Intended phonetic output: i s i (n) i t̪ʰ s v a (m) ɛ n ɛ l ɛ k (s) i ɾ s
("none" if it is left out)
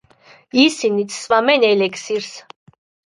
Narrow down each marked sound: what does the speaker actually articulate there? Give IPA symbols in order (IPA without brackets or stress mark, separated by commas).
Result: n, m, s